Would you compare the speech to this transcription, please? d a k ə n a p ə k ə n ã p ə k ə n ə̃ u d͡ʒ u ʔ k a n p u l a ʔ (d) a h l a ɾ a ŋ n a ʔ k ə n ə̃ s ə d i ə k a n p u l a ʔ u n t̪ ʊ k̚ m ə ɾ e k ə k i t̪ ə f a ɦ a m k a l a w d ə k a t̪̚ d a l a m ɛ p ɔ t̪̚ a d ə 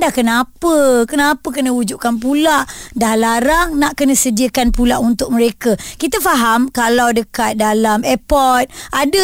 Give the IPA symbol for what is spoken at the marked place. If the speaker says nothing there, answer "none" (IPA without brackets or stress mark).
d